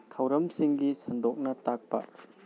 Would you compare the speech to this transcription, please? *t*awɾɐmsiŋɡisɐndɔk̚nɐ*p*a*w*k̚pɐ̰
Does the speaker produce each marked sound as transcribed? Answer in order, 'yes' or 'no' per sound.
no, no, no

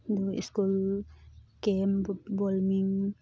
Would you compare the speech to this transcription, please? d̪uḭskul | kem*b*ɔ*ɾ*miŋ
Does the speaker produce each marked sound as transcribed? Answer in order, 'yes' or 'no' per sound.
yes, no

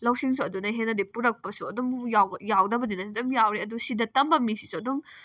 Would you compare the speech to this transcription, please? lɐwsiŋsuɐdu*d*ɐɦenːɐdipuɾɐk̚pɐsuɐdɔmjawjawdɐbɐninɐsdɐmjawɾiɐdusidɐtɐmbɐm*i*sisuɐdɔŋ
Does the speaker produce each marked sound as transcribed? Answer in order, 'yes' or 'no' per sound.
no, yes

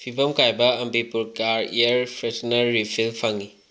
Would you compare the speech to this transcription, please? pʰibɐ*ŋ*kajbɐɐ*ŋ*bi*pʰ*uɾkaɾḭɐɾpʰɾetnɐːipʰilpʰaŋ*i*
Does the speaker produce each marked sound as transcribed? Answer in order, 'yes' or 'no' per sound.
no, no, no, yes

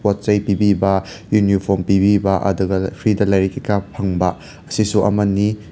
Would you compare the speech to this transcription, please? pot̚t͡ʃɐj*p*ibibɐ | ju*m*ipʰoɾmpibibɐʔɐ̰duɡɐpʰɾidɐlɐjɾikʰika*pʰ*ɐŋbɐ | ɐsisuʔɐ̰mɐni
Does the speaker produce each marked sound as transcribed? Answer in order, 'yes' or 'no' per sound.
yes, no, yes

